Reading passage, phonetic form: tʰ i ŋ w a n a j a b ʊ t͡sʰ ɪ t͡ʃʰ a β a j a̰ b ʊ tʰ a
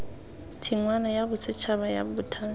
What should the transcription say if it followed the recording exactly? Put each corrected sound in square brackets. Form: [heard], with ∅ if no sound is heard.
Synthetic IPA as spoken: tʰ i ŋ w a n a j a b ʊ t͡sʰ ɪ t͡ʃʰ a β a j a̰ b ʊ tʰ a